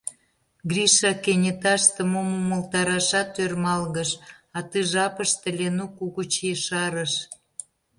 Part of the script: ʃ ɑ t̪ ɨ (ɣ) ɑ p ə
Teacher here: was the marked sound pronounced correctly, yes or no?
no